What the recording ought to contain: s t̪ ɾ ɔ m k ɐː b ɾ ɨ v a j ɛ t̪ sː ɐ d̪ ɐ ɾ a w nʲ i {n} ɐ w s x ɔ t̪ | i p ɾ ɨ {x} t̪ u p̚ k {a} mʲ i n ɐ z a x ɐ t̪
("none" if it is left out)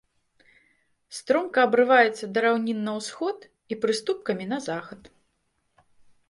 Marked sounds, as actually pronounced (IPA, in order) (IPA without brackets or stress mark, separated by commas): nː, s, ɐ